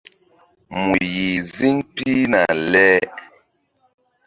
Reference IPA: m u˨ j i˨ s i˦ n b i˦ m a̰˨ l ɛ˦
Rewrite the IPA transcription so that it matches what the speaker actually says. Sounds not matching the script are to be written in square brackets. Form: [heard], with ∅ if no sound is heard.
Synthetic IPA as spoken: m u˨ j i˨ [z] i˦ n [p] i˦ [n] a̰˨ l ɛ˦